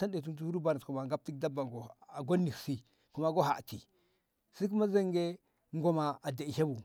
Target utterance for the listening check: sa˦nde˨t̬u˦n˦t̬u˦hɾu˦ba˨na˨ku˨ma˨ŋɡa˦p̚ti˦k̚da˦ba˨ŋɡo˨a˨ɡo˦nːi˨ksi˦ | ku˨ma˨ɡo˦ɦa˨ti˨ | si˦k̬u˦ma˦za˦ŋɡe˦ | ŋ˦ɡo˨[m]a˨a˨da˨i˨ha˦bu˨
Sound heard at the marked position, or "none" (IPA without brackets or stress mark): m